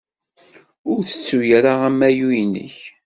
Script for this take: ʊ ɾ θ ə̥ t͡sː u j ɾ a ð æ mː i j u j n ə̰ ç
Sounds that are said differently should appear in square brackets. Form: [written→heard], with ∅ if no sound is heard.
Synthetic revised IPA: ʊ ɾ θ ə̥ t͡sː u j ɾ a [ð→ʁ] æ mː [i→æ] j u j n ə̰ ç